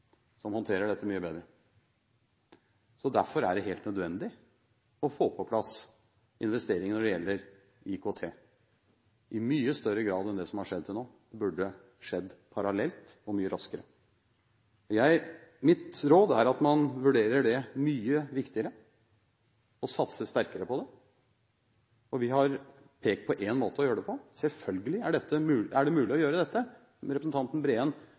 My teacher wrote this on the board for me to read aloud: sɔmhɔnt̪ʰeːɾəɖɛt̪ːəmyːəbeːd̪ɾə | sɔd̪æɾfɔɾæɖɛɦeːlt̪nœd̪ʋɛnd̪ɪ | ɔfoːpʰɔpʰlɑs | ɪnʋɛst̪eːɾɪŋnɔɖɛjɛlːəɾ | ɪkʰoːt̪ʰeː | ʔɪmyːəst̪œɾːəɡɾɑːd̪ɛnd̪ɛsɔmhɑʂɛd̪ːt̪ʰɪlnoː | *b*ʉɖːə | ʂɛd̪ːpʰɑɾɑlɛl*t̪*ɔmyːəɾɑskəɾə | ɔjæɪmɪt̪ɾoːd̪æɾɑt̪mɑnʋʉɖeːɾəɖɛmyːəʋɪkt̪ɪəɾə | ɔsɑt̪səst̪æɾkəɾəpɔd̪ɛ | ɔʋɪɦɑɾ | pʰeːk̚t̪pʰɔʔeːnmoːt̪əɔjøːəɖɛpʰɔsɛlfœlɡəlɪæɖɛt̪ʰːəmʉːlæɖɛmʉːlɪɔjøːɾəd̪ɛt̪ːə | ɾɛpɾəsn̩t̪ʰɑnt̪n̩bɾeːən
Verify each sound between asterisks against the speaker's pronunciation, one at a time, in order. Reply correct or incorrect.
correct, correct

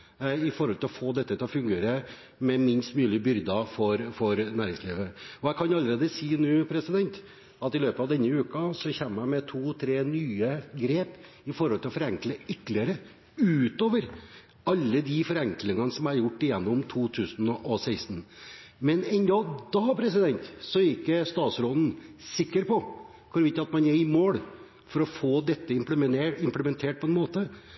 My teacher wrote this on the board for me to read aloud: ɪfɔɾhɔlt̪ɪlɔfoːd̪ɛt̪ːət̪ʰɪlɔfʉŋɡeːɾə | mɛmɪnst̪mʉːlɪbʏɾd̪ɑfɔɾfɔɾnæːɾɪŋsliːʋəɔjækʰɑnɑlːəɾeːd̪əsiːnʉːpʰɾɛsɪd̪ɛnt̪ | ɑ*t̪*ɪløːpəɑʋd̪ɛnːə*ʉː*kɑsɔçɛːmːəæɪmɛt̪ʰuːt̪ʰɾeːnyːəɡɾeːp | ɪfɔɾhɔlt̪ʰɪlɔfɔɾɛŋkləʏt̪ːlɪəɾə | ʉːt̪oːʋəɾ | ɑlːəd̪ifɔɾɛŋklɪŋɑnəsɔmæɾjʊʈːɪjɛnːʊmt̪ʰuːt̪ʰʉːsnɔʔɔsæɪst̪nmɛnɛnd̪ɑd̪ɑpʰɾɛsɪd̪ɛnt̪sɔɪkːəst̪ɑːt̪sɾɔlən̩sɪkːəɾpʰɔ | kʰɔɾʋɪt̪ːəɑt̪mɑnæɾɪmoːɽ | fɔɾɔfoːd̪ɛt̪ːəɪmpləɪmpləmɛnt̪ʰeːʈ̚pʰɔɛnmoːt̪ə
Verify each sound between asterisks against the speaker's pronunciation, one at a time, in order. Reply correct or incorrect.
correct, correct

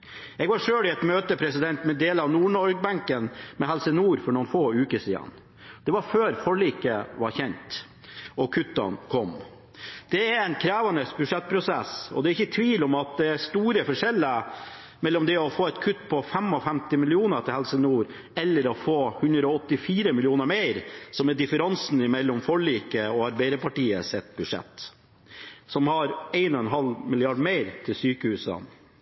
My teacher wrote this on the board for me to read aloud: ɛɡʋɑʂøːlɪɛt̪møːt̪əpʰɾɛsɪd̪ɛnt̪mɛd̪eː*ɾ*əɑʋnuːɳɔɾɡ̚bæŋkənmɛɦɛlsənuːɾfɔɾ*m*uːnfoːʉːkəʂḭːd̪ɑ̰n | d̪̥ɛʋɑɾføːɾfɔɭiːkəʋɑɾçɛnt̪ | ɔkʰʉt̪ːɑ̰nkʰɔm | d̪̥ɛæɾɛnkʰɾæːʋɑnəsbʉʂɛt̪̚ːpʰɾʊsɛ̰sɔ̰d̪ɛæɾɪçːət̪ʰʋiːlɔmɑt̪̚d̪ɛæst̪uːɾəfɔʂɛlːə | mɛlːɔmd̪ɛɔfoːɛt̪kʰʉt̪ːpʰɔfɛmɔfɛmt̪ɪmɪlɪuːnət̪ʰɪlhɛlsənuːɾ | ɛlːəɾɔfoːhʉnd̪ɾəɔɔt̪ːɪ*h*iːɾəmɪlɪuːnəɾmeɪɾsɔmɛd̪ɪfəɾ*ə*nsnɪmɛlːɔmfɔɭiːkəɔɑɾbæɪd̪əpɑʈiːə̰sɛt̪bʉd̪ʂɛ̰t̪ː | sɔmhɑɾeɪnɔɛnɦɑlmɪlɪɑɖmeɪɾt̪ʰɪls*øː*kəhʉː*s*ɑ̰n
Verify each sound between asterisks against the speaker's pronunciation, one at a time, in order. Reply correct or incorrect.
incorrect: l, incorrect: ɳ, incorrect: f, incorrect: ɑ, incorrect: yː, correct

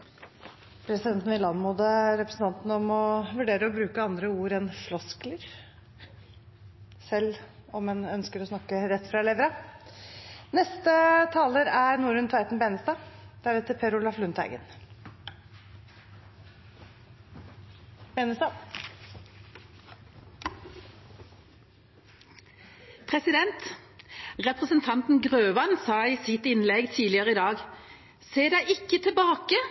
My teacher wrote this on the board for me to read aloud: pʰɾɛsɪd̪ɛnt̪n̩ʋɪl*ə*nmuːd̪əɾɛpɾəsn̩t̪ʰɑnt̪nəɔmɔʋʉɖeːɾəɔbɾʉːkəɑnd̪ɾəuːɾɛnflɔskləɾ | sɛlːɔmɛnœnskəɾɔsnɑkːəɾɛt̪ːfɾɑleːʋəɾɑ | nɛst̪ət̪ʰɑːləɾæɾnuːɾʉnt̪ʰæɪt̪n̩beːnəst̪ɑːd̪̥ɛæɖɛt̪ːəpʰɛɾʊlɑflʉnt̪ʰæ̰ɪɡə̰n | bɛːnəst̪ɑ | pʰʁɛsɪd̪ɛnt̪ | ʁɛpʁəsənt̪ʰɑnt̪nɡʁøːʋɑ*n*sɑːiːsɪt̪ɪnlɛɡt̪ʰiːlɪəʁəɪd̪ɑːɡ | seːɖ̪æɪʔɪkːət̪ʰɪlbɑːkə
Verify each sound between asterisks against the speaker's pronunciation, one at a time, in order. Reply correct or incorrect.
incorrect: ɑ, correct

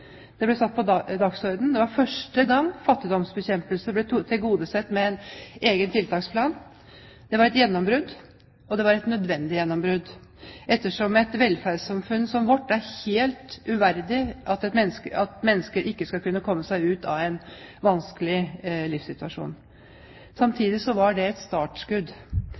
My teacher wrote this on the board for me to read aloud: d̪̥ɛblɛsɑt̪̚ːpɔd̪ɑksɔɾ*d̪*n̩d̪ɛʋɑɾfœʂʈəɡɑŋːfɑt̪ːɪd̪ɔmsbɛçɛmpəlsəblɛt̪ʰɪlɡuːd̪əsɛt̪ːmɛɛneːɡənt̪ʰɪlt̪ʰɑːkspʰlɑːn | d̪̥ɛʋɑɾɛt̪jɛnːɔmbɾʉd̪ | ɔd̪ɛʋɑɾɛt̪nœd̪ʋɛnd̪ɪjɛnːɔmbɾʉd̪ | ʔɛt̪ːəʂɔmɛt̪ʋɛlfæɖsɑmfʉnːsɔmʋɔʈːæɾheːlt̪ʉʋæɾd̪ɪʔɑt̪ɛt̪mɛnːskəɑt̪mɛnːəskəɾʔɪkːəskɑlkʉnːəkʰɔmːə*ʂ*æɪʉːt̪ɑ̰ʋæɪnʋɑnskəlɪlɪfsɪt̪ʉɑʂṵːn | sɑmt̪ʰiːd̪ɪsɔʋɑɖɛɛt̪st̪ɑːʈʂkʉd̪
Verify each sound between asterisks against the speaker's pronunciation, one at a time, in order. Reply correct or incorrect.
correct, incorrect: s

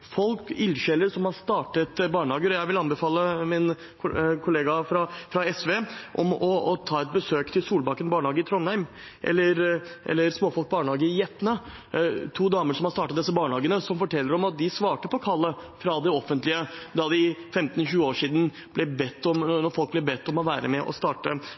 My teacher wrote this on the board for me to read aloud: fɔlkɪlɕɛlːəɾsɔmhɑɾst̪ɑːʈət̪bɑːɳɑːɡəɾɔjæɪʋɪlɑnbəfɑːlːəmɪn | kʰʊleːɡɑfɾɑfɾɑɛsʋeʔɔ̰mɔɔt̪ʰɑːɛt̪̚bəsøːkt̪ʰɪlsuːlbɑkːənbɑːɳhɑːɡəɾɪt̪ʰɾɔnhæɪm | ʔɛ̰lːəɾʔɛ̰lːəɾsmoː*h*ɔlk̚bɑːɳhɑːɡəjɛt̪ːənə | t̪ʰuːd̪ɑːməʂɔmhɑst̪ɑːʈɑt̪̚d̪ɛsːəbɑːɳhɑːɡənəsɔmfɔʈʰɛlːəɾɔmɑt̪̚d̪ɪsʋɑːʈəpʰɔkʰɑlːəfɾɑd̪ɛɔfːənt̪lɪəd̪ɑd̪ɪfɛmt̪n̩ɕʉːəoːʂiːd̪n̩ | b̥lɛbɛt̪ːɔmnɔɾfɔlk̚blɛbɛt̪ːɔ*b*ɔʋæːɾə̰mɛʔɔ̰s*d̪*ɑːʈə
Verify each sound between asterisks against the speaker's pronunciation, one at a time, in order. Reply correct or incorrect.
incorrect: f, incorrect: m, incorrect: t̪

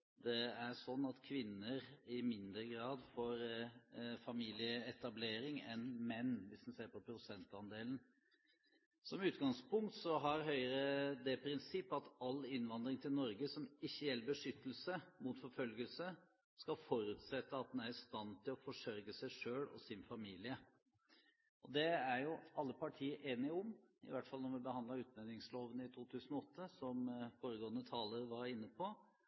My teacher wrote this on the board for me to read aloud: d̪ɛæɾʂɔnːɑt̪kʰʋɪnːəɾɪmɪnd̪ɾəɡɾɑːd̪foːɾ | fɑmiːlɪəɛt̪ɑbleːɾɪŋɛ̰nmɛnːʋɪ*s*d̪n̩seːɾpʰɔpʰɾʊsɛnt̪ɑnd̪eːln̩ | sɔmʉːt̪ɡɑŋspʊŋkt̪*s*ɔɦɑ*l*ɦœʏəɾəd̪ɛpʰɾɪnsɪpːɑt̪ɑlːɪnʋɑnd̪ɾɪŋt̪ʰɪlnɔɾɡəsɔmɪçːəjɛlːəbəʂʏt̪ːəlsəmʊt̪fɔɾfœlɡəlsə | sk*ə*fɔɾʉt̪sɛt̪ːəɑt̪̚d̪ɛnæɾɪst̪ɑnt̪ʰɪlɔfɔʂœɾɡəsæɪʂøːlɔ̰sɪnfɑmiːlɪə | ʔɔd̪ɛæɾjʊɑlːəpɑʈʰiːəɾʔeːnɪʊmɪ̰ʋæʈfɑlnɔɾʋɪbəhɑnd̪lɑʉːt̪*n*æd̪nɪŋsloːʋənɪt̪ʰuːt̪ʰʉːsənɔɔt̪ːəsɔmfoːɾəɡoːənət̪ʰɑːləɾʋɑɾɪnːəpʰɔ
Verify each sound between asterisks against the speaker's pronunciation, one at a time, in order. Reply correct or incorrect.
correct, correct, incorrect: ɾ, incorrect: ɑ, correct

